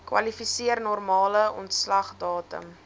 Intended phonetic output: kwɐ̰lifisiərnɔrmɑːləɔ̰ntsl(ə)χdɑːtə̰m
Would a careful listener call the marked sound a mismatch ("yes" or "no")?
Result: yes